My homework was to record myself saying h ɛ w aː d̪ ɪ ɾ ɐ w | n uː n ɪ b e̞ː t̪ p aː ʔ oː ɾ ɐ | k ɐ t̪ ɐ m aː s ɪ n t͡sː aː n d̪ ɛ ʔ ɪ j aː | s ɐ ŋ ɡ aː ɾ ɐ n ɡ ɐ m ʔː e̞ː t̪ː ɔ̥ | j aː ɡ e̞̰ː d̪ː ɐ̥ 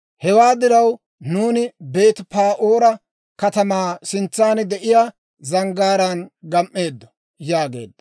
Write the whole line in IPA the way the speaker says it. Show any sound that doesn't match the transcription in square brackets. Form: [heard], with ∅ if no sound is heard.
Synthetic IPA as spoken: h ɛ w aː d̪ ɪ ɾ ɐ w | n uː n ɪ b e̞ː t̪ p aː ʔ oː ɾ ɐ | k ɐ t̪ ɐ m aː s ɪ n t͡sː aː n d̪ ɛ ʔ ɪ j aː | [z] ɐ ŋ ɡ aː ɾ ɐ n ɡ ɐ m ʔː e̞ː [d̪ː] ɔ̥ | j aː ɡ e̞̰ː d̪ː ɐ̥